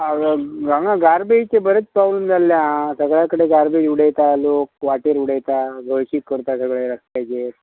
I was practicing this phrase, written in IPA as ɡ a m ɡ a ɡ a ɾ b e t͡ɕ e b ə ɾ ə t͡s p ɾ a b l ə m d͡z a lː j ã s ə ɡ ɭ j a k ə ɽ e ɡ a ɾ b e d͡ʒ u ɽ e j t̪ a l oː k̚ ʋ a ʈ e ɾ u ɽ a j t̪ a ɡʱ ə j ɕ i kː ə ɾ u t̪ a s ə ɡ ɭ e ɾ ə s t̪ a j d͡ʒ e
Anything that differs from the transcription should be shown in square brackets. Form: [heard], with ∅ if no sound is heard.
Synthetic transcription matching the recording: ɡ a [ŋ] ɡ a ɡ a ɾ b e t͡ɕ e b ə ɾ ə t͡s p ɾ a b l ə m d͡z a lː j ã s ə ɡ ɭ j a k ə ɽ e ɡ a ɾ b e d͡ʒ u ɽ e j t̪ a l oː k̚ ʋ a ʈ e ɾ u ɽ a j t̪ a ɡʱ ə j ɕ i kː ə ɾ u t̪ a s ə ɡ ɭ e ɾ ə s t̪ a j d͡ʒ e